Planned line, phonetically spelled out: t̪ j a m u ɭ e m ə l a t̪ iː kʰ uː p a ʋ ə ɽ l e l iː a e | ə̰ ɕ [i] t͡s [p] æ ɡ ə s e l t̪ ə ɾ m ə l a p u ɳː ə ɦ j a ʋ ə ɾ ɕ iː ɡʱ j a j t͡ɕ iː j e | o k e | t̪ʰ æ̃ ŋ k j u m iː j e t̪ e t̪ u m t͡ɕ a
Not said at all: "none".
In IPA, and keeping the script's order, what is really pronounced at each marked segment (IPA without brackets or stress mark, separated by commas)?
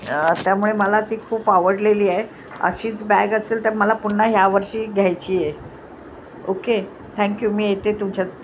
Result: iː, b